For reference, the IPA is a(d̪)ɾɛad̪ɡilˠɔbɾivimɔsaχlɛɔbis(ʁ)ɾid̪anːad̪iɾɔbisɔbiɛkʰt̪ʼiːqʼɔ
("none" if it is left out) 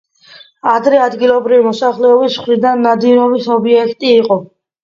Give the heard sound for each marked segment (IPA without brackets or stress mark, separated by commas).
d̪, χ